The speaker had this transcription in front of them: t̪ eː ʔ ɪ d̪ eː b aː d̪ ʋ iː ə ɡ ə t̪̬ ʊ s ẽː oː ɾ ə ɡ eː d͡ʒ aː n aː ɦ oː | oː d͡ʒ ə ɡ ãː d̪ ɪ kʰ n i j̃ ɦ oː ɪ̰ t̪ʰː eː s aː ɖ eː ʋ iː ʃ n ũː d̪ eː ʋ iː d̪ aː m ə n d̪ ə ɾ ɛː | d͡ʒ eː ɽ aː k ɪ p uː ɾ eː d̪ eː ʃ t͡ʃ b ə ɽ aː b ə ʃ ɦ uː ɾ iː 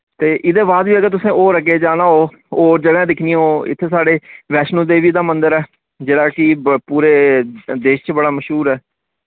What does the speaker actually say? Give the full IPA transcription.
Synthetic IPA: t̪ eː ʔ ɪ d̪ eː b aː d̪ ʋ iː ə ɡ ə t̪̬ ʊ s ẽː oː ɾ ə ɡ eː d͡ʒ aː n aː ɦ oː | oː d͡ʒ ə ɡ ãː d̪ ɪ kʰ n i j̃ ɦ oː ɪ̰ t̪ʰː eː s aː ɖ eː ʋ ɛː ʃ n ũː d̪ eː ʋ iː d̪ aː m ə n d̪ ə ɾ ɛː | d͡ʒ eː ɽ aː k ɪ p uː ɾ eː d̪ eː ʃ t͡ʃ b ə ɽ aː m ə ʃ ɦ uː ɾ ɛː